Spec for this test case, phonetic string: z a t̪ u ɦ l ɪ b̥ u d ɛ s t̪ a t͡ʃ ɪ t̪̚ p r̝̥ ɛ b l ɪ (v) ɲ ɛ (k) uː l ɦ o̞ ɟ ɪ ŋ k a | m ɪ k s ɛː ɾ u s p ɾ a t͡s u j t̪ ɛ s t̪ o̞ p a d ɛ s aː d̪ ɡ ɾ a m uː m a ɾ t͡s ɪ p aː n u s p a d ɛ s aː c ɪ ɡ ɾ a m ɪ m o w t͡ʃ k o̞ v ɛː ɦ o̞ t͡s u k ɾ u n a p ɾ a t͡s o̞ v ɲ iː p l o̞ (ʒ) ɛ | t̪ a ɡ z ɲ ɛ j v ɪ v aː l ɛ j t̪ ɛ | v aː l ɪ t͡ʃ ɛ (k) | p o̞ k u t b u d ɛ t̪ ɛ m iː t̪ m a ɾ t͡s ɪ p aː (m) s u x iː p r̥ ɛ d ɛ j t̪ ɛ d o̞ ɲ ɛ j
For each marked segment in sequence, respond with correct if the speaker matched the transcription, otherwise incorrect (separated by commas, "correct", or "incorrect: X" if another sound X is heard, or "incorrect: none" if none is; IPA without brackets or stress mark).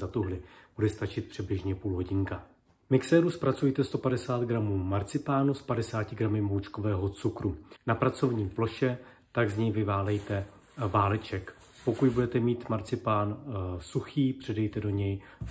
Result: incorrect: ʒ, incorrect: p, incorrect: ʃ, correct, incorrect: n